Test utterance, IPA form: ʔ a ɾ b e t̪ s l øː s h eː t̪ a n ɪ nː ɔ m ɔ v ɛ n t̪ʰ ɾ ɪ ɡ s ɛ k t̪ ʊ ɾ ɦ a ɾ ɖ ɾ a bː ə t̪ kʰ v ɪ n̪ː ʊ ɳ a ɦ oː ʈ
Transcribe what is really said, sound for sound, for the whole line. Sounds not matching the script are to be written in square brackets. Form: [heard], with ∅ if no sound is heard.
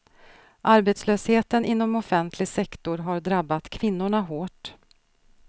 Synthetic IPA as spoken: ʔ a ɾ b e t̪ s l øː s h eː t̪ [ə] n ɪ nː ɔ m ɔ [f] ɛ n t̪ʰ [l] ɪ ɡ s ɛ k t̪ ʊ ɾ ɦ a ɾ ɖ ɾ a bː [a] t̪ kʰ v ɪ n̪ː ʊ ɳ a ɦ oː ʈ

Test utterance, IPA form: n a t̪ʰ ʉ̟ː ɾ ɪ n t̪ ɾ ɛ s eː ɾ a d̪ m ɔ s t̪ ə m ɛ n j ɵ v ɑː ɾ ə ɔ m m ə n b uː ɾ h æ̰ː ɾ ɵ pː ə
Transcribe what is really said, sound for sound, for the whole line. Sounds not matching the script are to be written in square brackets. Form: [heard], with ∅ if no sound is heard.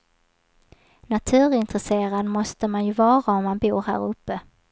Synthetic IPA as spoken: n a t̪ʰ ʉ̟ː ɾ ɪ n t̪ ɾ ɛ s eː ɾ a d̪ m ɔ s t̪ ə m [a] n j ɵ v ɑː ɾ [a] ɔ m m [a] n b uː ɾ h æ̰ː ɾ ɵ pː ə

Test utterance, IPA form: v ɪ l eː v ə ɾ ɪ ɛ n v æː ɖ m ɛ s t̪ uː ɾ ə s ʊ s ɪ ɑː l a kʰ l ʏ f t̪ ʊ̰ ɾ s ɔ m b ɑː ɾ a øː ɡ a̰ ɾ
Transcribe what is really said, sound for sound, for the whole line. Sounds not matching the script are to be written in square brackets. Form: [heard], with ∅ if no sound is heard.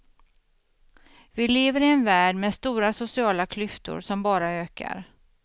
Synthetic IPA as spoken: v ɪ l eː v ə ɾ ɪ ɛ n v æː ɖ m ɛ s t̪ uː ɾ [a] s ʊ s ɪ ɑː l a kʰ l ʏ f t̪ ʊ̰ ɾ s ɔ m b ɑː ɾ a øː [k] a̰ ɾ

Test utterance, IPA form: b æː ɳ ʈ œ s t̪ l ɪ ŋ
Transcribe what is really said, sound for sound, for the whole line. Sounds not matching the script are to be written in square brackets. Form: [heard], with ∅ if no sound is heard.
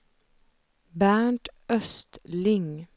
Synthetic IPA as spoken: b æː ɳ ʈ œ s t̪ l ɪ ŋ

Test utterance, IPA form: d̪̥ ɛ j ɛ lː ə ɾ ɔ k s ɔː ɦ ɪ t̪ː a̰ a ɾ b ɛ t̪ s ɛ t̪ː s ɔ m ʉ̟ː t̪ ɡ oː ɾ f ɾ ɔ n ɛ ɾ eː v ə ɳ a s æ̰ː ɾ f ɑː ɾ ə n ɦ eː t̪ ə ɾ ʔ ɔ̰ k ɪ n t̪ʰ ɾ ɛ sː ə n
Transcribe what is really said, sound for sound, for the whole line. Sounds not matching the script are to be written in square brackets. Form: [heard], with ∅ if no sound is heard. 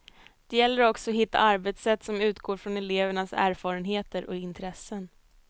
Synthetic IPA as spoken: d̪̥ ɛ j ɛ lː ə ɾ ɔ k s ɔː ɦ ɪ t̪ː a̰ a ɾ b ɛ t̪ s ɛ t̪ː s ɔ m ʉ̟ː t̪ ɡ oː ɾ f ɾ ɔ n ɛ [l] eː v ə ɳ a s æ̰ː ɾ f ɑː ɾ ə n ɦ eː t̪ ə ɾ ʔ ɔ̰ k ɪ n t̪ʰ ɾ ɛ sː ə n

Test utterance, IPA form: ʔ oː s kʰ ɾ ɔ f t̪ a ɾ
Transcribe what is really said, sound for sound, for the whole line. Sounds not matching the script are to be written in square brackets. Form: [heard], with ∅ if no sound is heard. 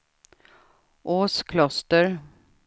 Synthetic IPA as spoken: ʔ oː s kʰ [l] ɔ [s] t̪ [ə] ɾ

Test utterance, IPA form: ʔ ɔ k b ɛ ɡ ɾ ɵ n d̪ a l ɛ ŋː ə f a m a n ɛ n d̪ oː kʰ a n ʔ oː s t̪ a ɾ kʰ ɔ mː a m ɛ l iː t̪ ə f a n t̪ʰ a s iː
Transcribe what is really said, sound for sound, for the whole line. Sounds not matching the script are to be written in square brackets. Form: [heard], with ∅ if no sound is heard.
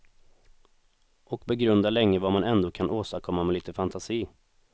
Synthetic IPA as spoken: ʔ ɔ k b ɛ ɡ ɾ ɵ n d̪ a l ɛ ŋː ə [v] a m a n ɛ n d̪ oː kʰ a n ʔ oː s t̪ a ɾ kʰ ɔ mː a m ɛ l iː t̪ ə f a n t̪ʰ a s iː

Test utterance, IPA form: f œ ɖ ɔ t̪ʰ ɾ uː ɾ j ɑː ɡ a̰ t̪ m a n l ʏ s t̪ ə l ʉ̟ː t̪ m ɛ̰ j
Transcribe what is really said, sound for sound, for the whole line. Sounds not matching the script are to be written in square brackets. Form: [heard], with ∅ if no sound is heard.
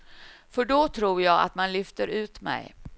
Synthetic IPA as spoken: f œ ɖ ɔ t̪ʰ ɾ uː ɾ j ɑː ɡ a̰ t̪ m a n l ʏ [f] t̪ ə [ɾ] ʉ̟ː t̪ m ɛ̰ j

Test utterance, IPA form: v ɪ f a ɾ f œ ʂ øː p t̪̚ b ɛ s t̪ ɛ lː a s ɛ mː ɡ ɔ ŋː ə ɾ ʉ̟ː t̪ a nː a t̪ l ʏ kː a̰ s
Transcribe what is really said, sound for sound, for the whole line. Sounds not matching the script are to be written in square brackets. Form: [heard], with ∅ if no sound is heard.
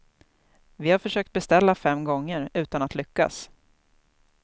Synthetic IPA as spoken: v ɪ [h] a ɾ f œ ʂ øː [k] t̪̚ b ɛ s t̪ ɛ lː a [f] ɛ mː ɡ ɔ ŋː ə ɾ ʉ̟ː t̪ a [n] a t̪ l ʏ kː a̰ s

